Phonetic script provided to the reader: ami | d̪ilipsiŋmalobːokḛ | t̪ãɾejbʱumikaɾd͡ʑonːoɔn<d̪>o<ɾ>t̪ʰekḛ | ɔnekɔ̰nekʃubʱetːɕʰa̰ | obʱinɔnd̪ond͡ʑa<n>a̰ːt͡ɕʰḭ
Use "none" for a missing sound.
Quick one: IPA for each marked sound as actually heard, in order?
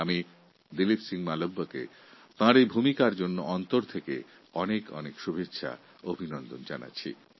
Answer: t̪, ɾ, n

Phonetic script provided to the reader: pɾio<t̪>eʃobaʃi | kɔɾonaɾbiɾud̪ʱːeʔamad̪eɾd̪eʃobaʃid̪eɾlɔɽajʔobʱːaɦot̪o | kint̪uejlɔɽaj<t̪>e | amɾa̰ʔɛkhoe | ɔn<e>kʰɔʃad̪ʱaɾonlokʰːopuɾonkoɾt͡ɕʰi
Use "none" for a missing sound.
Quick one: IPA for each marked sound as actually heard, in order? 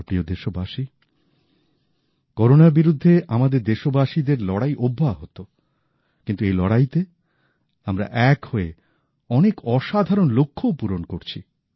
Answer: d̪, t̪, e

